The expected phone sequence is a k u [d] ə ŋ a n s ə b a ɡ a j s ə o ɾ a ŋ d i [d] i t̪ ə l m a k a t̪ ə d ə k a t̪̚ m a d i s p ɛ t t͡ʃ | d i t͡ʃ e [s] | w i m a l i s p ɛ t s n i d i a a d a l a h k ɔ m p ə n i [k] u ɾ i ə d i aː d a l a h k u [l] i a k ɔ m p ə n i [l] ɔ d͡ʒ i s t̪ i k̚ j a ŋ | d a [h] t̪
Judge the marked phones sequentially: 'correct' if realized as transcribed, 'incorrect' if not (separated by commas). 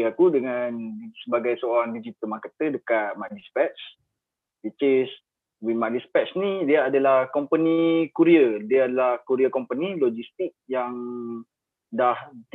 correct, incorrect, correct, correct, incorrect, correct, correct